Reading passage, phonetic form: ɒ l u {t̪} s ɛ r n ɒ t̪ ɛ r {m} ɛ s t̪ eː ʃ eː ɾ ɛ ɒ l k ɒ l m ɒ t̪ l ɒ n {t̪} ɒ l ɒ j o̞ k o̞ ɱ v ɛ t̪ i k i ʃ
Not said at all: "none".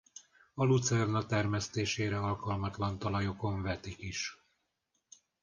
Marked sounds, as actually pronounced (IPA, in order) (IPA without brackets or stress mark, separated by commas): t̪, m, t̪